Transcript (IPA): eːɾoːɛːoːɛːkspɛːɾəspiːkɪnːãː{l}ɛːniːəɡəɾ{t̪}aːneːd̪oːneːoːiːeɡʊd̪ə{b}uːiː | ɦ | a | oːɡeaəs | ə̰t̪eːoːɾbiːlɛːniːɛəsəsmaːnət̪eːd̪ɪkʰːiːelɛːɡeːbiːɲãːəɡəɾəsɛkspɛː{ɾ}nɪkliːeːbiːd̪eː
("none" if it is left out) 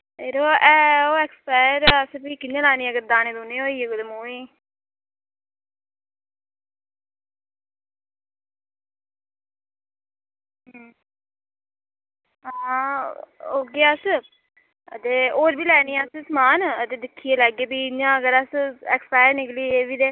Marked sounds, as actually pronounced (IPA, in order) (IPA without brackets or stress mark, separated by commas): l, d̪, m, ɾ